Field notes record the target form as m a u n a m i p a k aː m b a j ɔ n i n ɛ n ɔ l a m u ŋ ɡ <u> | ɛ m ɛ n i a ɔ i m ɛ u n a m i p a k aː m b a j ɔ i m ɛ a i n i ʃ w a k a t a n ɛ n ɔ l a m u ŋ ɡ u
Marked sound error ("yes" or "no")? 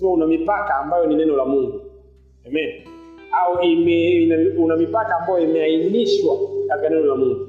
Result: no